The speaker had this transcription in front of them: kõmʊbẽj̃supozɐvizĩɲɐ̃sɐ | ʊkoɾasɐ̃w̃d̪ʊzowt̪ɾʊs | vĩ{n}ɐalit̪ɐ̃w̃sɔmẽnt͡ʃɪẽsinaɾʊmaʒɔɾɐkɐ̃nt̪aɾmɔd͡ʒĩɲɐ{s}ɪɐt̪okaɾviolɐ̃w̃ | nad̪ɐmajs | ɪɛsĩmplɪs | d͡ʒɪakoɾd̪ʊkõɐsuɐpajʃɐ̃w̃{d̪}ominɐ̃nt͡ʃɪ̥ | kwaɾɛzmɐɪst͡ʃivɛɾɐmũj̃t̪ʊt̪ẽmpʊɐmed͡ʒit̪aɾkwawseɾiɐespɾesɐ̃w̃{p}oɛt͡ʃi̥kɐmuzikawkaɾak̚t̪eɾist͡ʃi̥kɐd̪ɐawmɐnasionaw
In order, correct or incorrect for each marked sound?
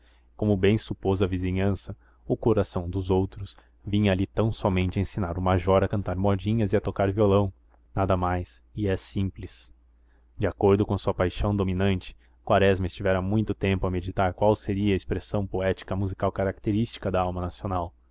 incorrect: ɲ, incorrect: z, correct, correct

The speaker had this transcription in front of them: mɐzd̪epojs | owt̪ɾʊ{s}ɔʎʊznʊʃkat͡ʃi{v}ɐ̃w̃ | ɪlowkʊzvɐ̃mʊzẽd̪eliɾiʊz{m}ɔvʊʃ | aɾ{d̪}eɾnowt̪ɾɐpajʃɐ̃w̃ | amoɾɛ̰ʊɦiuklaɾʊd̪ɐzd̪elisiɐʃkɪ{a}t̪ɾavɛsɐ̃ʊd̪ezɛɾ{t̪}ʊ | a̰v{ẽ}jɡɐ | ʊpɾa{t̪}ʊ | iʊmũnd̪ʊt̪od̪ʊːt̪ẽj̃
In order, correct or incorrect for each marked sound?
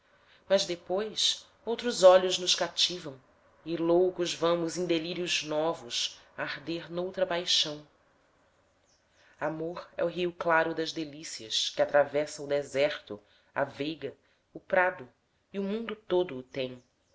incorrect: z, correct, incorrect: n, correct, correct, correct, incorrect: e, incorrect: d̪

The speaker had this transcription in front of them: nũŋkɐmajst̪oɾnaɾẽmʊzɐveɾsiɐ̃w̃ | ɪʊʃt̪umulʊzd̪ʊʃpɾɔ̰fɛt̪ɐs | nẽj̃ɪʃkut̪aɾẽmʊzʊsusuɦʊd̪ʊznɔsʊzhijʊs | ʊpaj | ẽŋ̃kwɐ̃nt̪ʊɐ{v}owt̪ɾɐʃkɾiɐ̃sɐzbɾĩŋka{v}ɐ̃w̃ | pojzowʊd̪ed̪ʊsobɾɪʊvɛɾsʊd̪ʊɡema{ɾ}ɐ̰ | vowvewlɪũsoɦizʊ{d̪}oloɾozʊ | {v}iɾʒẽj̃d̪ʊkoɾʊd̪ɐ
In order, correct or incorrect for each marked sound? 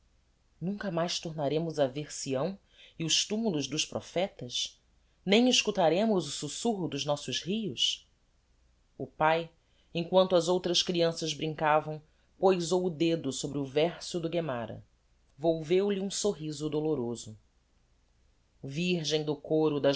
incorrect: z, correct, correct, correct, correct

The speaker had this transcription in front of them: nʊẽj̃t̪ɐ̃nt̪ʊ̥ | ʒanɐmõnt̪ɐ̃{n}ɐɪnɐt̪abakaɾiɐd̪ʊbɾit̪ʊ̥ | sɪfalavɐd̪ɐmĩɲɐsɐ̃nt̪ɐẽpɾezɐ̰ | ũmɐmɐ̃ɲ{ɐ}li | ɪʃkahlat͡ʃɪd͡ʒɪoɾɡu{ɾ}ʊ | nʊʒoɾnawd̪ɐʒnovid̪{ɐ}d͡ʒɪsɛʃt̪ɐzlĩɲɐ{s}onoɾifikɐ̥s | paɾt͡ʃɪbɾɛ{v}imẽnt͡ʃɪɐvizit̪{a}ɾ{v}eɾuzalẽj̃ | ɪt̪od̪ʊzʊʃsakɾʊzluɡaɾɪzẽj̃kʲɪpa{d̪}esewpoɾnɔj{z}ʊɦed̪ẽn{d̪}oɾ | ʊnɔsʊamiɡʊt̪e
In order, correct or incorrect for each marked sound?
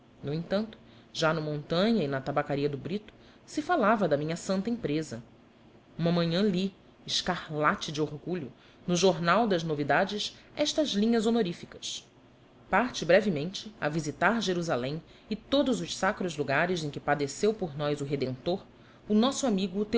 incorrect: ɲ, incorrect: ɐ̃, incorrect: ʎ, incorrect: a, incorrect: z, correct, correct, incorrect: ʒ, correct, correct, incorrect: t̪

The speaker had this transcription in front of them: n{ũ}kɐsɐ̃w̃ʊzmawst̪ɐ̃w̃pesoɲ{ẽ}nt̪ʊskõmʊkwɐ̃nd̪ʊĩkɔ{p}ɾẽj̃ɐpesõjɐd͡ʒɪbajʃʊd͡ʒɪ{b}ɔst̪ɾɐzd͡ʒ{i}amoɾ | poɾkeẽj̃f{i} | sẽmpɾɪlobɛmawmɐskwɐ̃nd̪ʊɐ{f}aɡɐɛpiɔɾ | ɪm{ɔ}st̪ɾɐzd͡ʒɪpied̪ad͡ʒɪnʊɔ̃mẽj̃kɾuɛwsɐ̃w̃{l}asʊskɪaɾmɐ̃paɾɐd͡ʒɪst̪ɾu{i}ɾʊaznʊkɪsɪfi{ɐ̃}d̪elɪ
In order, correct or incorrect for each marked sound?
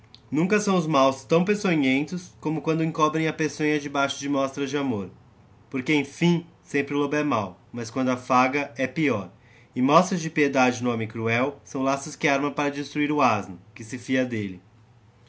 correct, correct, incorrect: b, incorrect: m, incorrect: ɪ, incorrect: ĩ, correct, correct, correct, correct, incorrect: ɐ

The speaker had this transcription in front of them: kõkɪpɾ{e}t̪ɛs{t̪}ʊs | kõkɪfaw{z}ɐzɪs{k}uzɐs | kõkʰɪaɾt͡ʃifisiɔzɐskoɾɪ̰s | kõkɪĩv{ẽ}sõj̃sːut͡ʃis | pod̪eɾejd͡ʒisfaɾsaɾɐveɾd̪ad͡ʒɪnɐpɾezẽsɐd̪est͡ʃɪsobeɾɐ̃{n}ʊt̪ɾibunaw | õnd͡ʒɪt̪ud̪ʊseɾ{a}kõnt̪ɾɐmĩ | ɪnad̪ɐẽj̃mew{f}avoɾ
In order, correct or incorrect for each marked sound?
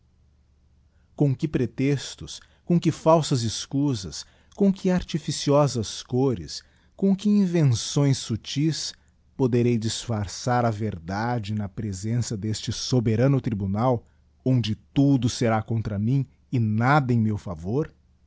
correct, correct, incorrect: s, correct, correct, correct, correct, correct

